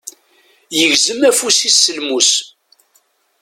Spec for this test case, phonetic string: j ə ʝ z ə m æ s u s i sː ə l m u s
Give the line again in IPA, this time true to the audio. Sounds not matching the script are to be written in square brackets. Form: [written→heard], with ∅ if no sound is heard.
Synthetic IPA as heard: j ə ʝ z ə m æ [s→f] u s i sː ə l m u s

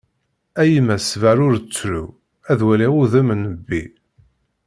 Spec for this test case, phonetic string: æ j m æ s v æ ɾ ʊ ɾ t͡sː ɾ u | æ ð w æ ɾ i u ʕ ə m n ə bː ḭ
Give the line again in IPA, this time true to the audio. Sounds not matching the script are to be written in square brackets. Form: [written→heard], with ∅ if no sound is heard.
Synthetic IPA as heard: æ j m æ s v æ ɾ ʊ ɾ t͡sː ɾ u | æ ð w æ [ɾ→l] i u [ʕ→ð] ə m n ə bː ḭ

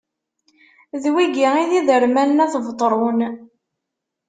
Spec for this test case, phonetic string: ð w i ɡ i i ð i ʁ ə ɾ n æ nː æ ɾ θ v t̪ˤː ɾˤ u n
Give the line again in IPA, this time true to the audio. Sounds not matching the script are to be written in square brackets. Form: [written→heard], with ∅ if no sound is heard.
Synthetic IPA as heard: ð w i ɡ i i ð i [ʁ→ð] ə ɾ [n→m] æ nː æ [ɾ→∅] θ v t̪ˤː ɾˤ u n

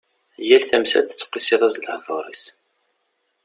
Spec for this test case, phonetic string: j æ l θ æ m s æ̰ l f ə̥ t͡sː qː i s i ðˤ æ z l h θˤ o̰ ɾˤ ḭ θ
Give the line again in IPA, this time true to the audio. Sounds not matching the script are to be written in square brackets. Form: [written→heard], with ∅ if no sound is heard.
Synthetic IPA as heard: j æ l θ æ m s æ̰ l [f→θ] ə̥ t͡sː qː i s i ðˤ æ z l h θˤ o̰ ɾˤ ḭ [θ→s]

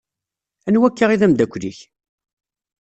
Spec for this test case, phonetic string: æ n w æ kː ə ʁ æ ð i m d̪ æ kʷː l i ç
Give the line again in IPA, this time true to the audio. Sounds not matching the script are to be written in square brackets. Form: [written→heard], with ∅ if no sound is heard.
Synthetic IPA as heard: æ n w æ kː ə ʁ [æ→i] ð [i→æ] m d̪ æ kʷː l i ç

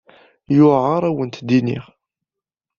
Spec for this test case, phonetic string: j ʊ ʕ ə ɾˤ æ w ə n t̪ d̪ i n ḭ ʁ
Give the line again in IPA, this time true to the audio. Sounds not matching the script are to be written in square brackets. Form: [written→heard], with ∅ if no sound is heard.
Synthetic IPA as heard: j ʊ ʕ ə ɾˤ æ w ə n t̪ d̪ i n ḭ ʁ

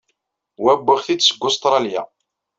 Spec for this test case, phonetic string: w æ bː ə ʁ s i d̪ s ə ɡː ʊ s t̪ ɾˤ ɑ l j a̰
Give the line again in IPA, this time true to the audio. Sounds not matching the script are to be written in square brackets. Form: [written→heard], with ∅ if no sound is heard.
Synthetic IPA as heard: w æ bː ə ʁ [s→θ] i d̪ s ə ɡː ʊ s t̪ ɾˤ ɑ l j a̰

